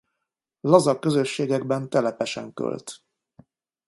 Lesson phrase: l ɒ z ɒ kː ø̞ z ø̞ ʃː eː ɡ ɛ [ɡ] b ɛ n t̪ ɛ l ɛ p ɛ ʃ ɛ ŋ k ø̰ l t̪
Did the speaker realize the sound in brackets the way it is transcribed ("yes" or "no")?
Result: yes